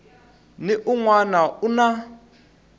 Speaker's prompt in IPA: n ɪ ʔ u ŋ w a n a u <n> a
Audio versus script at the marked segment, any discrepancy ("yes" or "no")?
no